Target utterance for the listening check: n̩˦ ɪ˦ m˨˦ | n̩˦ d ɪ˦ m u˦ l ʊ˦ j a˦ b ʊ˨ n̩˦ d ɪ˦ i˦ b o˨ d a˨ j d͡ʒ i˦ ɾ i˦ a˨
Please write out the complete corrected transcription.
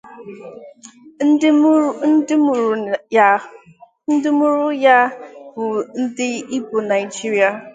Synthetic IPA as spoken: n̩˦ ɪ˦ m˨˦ | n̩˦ d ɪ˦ m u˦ ɾ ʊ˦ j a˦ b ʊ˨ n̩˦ d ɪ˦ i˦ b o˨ n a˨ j d͡ʒ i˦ ɾ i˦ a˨

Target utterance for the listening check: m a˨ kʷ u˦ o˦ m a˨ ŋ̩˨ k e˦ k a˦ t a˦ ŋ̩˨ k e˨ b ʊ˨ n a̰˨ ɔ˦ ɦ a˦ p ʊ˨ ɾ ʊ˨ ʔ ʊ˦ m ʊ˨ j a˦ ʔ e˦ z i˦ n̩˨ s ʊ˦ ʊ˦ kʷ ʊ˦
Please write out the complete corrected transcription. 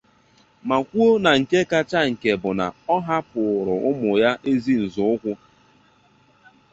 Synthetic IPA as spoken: m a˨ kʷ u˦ o˦ n a˨ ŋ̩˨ k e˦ k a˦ t͡ʃ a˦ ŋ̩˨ k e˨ b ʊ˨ n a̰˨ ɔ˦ ɦ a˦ p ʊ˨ ɾ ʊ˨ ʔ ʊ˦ m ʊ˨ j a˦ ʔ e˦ z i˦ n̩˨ z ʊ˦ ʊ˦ kʷ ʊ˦

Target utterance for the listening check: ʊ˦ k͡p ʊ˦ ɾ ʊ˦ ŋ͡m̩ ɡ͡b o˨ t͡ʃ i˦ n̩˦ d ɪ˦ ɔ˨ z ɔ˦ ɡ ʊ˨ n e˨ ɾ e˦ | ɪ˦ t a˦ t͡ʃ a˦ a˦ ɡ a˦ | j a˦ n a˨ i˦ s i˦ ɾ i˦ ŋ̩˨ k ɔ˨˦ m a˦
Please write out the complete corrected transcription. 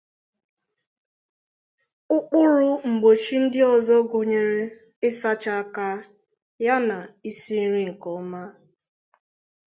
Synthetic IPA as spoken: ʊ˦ k͡p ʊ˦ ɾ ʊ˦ ŋ͡m̩ ɡ͡b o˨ t͡ʃ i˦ n̩˦ d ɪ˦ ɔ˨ z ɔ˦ ɡ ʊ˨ ɲ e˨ ɾ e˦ | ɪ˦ s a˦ t͡ʃ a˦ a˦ k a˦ | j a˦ n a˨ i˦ s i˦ ɾ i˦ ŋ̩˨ k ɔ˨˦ m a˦

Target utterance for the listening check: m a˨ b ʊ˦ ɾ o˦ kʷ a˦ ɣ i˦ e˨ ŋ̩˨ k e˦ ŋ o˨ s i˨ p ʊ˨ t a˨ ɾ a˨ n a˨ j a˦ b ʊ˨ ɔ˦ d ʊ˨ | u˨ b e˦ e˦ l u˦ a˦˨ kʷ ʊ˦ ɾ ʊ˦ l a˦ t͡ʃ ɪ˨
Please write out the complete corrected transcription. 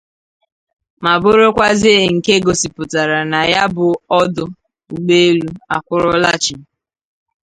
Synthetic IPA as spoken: m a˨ b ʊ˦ ɾ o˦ kʷ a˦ z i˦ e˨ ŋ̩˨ k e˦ ɡ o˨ s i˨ p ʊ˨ t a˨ ɾ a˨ n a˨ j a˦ b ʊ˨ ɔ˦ d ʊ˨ | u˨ ɡ͡b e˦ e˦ l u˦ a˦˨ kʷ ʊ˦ ɾ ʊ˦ l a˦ t͡ʃ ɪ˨

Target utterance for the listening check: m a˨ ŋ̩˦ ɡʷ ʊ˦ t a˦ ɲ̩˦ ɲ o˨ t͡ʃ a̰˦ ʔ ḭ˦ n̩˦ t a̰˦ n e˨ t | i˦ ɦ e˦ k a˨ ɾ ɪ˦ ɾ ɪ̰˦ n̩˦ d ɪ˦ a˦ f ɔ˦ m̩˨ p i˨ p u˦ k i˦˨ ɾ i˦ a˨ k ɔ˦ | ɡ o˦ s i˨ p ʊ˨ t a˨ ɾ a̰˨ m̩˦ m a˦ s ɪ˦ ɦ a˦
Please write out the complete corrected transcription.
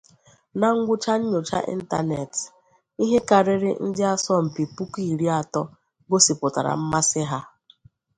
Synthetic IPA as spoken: n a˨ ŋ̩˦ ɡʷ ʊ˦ t͡ʃ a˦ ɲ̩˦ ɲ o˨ t͡ʃ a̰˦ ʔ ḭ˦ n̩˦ t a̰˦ n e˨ t | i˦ ɦ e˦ k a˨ ɾ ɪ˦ ɾ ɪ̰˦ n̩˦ d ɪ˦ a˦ s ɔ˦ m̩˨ p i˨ p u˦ k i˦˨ ɾ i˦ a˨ t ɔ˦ | ɡ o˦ s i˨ p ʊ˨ t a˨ ɾ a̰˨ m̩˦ m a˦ s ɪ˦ ɦ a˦

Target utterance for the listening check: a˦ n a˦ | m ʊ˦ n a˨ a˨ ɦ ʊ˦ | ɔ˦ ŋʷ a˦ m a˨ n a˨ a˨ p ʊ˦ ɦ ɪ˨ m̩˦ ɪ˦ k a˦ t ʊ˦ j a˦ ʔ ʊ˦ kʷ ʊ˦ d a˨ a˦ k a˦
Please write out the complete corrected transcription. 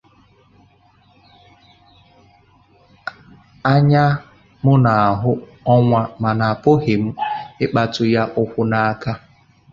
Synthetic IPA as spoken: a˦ ɲ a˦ | m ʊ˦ n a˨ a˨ ɦ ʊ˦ | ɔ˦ ŋʷ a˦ m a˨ n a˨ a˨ p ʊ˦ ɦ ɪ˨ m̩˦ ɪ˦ k͡p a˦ t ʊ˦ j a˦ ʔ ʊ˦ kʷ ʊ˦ n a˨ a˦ k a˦

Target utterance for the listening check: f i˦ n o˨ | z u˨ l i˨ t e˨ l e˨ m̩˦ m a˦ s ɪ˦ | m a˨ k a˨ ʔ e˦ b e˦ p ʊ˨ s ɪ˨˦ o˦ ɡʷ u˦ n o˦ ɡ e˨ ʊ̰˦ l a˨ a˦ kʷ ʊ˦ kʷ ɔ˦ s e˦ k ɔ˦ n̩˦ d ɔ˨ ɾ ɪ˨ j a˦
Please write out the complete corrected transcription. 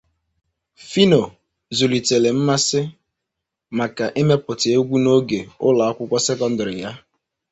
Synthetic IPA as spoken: f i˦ n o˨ | z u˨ l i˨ t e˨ l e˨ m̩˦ m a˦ s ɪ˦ | m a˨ k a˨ ʔ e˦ m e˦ p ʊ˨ t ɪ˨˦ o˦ ɡʷ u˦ n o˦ ɡ e˨ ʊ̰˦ l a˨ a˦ kʷ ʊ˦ kʷ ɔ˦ s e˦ k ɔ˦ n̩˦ d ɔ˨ ɾ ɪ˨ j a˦

